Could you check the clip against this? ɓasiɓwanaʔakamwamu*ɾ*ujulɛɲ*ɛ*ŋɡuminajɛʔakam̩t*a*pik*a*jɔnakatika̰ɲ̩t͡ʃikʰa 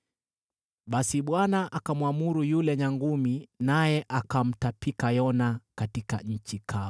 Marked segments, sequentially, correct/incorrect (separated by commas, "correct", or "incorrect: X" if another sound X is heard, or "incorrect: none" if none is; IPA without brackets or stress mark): correct, incorrect: a, correct, correct